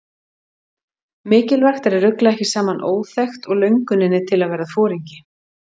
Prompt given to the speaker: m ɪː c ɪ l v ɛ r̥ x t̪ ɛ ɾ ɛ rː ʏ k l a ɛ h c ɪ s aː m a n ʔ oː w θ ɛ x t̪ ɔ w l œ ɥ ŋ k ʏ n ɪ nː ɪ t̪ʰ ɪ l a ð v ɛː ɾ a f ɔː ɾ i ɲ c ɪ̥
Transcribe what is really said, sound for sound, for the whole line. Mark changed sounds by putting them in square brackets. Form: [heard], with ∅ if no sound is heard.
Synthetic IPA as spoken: m ɪː c ɪ l v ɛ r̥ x t̪ ɛ ɾ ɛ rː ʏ k l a ɛ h c ɪ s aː m a n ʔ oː w θ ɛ x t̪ ɔ [ɣ] l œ ɥ ŋ k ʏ n ɪ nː ɪ t̪ʰ ɪ l a ð v ɛː ɾ a f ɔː ɾ i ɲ c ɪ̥